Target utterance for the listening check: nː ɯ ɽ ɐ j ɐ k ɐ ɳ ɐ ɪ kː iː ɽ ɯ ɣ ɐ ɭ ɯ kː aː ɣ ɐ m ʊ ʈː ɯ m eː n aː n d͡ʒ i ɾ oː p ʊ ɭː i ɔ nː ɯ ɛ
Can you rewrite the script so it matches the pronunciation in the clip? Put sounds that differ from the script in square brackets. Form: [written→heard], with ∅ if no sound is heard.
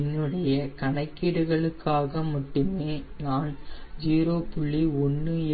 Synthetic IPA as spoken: nː ɯ ɽ ɐ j ɐ k ɐ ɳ ɐ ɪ kː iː ɽ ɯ ɣ ɐ ɭ ɯ kː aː ɣ ɐ m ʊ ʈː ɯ m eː n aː n d͡ʒ [i→iː] ɾ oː p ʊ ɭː i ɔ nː ɯ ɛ

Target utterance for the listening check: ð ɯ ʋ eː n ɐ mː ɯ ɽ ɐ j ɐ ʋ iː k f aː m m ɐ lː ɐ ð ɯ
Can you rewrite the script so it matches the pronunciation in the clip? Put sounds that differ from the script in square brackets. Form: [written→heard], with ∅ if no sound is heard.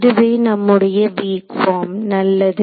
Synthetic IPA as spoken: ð ɯ ʋ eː n ɐ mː ɯ ɽ ɐ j ɐ ʋ iː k f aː m [m→n] ɐ lː ɐ ð ɯ

